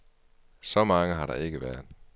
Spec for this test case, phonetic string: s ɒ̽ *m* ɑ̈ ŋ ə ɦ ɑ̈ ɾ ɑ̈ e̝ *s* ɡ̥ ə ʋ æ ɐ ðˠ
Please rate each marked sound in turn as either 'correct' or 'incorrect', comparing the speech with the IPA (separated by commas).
correct, incorrect